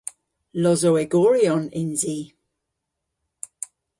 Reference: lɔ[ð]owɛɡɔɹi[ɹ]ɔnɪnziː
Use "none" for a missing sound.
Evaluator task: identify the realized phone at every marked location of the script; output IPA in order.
z, none

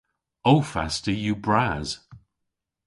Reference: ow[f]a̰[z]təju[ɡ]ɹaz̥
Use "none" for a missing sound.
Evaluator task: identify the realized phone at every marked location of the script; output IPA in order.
f, s, b

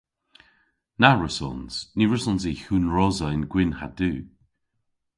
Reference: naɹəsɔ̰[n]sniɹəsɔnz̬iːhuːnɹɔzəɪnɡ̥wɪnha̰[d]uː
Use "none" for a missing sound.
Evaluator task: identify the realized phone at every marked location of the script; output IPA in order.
n, d

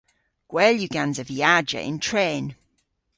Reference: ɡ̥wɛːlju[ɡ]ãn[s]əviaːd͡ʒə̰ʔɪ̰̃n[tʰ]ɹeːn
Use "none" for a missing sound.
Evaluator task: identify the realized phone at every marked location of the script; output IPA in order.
ɡ, z, tʰ

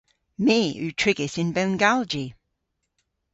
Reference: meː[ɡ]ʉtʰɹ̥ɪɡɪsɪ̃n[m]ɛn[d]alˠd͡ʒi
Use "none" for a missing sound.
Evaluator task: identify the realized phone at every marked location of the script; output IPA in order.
none, b, ɡ

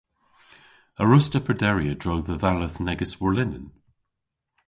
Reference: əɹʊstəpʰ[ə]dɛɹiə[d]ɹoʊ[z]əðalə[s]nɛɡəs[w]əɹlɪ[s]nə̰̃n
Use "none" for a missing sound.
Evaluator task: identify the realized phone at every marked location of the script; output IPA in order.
ə, d, ð, θ, w, none

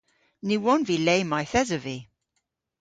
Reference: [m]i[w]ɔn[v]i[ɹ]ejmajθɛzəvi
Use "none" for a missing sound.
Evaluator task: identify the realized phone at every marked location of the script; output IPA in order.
n, w, v, l

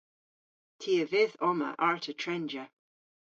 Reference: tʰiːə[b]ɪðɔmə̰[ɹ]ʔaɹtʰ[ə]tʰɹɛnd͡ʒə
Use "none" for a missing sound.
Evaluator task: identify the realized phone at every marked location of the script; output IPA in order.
v, none, ə

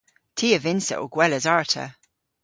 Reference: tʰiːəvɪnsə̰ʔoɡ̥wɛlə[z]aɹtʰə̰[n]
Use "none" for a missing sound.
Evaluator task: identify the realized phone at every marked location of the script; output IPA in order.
z, none

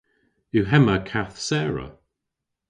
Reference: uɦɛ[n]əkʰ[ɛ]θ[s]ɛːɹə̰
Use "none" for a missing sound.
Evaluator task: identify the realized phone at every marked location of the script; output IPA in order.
m, a, s

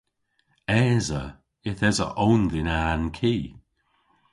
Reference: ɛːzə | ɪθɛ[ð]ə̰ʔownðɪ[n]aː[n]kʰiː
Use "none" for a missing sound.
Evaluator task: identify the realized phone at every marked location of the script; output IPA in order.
z, n, n

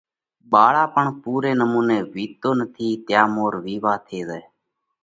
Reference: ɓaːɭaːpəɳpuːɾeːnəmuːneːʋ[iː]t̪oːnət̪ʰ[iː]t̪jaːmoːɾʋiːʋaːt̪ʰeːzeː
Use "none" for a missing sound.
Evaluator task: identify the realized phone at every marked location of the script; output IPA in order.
iː, iː

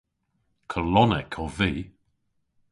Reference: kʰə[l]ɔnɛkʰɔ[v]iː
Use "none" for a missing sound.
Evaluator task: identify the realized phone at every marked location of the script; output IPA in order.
l, v

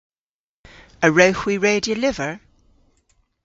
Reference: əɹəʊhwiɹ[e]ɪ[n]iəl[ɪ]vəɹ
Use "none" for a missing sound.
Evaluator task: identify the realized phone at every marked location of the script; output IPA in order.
e, d, ɪ

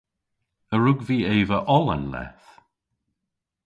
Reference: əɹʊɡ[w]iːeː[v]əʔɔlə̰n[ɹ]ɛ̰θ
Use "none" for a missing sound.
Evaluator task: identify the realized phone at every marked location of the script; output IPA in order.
v, v, l

